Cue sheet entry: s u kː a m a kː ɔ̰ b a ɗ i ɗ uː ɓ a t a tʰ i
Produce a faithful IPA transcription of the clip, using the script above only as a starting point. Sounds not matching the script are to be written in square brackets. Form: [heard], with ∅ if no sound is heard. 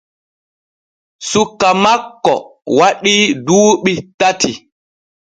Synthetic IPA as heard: s u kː a m a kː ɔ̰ [w] a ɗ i [d] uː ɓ [i] t a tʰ i